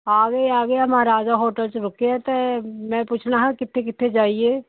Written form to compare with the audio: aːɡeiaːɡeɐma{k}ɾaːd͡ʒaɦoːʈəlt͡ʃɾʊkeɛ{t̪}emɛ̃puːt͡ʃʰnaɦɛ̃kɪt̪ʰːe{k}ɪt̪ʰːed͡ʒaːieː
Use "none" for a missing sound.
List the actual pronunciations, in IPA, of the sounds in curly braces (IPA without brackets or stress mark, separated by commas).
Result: none, t̪, k